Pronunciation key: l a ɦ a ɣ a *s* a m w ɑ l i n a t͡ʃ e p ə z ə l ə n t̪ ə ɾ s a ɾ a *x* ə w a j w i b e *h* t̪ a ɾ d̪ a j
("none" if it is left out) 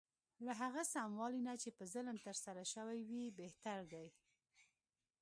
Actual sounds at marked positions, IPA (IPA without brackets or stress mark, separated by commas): s, ʃ, h